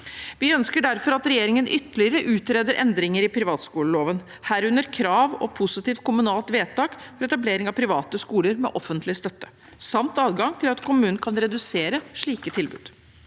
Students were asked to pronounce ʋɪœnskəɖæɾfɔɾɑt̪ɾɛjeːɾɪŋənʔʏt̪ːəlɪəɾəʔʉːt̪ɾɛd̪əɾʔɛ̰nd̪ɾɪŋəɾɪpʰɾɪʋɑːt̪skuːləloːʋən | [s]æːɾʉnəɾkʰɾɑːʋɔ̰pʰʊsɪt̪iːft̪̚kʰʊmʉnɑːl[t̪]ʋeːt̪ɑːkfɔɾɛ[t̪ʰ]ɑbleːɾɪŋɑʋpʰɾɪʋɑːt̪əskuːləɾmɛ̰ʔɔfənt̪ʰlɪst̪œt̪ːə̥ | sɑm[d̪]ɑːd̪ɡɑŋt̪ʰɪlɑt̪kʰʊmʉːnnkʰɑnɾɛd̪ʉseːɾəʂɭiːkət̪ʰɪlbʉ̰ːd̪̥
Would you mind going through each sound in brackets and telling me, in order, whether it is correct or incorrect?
incorrect, correct, incorrect, incorrect

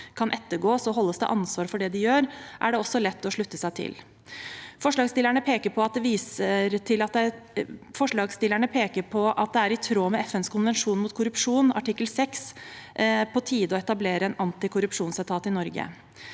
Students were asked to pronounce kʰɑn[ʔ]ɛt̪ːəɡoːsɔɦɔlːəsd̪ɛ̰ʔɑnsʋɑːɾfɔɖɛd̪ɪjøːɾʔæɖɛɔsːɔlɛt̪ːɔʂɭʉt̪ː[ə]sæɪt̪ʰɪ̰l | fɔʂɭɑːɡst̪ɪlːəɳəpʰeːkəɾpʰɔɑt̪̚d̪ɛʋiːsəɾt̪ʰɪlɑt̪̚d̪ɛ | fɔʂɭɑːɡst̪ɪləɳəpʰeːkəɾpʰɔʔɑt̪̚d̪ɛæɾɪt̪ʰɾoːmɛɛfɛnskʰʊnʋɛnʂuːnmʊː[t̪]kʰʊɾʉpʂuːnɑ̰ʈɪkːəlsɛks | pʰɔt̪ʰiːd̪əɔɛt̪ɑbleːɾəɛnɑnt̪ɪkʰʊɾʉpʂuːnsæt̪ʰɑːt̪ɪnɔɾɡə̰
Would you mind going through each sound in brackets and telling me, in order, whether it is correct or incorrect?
correct, correct, correct

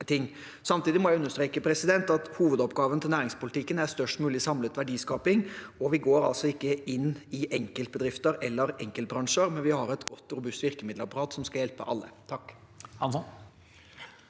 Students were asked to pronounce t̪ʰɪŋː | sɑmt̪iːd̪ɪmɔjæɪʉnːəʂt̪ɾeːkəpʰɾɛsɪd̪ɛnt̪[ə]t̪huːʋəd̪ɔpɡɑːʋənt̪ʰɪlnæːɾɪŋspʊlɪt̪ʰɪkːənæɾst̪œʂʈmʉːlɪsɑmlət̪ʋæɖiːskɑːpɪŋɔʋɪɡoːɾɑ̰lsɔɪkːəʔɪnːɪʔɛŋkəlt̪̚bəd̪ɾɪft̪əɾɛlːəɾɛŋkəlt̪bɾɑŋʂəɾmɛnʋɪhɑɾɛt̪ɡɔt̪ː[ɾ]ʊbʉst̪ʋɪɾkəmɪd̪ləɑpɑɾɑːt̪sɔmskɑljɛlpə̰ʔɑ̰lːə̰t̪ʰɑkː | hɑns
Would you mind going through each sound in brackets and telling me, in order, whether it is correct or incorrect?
incorrect, correct

